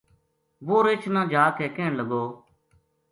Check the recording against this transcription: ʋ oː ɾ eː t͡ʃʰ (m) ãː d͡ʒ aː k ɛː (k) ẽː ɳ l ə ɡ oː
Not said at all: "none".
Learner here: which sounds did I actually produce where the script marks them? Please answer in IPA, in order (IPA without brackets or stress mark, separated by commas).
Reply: n, k